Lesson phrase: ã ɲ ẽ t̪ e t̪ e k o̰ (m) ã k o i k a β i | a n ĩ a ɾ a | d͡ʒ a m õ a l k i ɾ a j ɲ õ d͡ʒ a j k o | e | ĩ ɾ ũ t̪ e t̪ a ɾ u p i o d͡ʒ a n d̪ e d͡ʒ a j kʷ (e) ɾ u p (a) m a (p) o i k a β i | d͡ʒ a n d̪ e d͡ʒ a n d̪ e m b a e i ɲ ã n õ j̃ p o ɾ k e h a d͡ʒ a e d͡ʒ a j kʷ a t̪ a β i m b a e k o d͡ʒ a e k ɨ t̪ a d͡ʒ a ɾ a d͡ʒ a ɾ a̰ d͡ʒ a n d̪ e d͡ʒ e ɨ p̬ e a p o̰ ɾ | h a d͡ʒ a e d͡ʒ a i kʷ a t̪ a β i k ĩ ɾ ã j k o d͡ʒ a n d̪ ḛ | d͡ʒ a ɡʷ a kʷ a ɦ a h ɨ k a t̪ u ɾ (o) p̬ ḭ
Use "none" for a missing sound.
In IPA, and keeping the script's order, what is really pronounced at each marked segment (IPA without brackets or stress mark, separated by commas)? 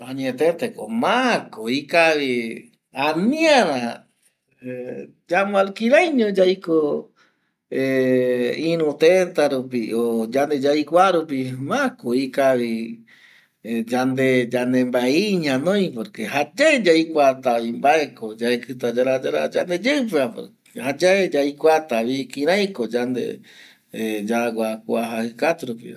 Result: m, a, i, k, u